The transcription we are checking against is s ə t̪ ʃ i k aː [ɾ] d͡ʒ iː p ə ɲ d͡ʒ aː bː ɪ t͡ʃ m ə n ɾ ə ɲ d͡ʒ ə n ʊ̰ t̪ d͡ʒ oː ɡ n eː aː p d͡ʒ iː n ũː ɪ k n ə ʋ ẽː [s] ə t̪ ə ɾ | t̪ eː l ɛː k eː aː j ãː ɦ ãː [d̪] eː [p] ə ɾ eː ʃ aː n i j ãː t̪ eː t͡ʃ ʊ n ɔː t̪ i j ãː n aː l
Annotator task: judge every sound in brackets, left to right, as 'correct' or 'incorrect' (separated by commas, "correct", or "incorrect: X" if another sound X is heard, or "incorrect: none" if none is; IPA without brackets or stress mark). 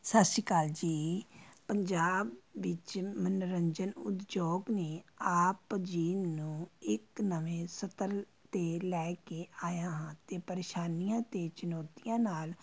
incorrect: l, correct, incorrect: t̪, correct